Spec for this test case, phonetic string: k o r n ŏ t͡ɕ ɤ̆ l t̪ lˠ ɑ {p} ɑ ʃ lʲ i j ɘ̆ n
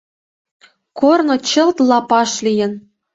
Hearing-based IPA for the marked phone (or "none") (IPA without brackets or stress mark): p